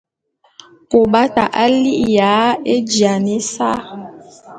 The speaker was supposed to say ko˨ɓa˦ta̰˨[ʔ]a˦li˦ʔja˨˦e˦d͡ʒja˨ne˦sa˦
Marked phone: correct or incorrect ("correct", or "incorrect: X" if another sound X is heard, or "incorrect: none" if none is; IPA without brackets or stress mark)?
correct